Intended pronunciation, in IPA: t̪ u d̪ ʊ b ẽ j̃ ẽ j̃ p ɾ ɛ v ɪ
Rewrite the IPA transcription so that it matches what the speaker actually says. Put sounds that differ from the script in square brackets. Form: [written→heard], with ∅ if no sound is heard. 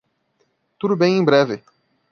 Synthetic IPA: t̪ u d̪ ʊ b ẽ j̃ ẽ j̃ [p→b] ɾ ɛ v ɪ